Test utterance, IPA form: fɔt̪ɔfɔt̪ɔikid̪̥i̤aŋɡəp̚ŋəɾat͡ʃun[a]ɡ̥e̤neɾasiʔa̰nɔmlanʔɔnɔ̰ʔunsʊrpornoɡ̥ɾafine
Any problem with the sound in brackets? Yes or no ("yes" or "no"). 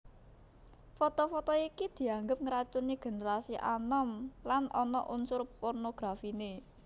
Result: yes